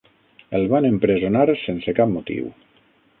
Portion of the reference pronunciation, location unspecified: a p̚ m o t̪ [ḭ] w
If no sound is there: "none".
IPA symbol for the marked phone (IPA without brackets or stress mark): ḭ